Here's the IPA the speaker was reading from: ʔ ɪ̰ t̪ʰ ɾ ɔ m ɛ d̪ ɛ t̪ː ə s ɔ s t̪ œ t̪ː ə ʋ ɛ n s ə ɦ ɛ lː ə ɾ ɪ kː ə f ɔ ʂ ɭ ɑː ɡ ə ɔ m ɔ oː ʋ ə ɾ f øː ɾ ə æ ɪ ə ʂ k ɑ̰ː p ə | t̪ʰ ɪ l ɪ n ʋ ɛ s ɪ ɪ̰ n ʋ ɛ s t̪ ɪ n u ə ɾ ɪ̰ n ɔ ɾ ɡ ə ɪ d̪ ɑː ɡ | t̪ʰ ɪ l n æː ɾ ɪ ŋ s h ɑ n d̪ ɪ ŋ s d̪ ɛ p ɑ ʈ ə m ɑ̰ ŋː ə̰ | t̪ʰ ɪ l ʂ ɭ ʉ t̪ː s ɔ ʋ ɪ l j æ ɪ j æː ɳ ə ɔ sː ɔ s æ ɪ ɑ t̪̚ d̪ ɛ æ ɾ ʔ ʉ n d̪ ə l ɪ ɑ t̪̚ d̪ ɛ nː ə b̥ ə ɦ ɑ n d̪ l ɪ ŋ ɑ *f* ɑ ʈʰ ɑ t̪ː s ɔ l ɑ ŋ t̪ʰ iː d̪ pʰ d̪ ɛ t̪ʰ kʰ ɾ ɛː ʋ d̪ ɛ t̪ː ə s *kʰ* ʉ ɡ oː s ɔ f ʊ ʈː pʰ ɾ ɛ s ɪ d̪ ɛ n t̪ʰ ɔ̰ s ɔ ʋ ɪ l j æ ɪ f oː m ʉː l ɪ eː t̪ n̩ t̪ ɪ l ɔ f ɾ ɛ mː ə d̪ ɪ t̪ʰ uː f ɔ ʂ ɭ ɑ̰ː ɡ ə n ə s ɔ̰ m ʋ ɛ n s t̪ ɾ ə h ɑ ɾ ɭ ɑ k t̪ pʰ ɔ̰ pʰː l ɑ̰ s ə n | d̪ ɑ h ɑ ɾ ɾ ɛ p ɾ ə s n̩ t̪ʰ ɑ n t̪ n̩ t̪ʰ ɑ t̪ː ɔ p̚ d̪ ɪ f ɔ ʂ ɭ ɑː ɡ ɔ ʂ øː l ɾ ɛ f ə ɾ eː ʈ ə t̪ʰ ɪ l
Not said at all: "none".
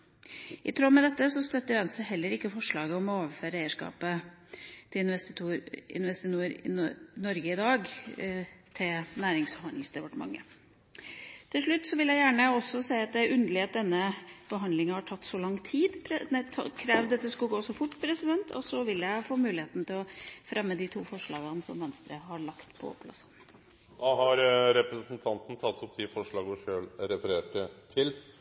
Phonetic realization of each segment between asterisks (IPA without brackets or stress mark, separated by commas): h, k